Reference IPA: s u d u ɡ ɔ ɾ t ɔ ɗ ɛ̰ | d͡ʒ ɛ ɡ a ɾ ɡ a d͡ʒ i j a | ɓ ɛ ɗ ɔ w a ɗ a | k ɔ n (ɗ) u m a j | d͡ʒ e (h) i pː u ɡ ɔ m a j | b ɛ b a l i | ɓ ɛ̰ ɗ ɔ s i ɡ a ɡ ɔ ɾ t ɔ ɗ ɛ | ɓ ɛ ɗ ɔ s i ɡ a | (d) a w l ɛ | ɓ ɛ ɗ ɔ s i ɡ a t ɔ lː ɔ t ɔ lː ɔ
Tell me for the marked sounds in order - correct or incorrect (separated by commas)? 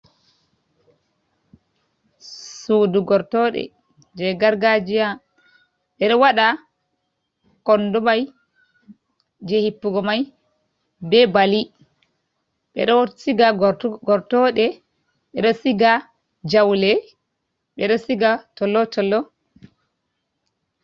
incorrect, correct, incorrect